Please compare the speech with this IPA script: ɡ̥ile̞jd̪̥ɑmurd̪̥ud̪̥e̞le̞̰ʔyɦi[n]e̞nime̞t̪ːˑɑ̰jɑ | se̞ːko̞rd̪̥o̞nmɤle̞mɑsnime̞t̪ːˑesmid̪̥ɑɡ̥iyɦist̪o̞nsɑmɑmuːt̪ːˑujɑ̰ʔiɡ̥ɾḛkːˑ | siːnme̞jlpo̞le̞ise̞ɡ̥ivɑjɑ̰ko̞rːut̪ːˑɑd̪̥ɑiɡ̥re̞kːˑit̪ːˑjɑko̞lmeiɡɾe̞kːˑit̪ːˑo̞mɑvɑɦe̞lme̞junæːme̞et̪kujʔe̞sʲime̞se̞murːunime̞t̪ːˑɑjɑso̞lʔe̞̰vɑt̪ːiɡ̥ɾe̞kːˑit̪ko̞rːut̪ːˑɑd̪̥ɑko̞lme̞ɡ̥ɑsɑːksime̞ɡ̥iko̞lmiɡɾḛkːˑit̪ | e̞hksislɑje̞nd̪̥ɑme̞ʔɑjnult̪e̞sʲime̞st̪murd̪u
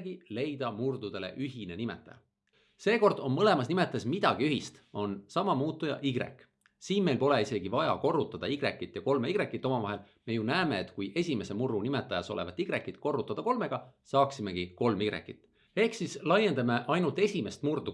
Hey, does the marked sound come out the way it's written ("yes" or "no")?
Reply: yes